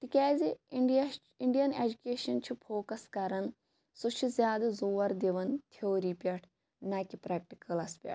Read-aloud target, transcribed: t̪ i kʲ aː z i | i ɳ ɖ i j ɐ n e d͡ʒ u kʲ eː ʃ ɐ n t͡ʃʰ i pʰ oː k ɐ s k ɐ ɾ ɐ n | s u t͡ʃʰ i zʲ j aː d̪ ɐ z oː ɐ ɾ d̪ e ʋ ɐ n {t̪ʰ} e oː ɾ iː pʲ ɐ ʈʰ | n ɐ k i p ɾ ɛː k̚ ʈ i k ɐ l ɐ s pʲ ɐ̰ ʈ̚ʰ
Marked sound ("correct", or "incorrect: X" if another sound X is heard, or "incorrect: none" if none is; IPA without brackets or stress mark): correct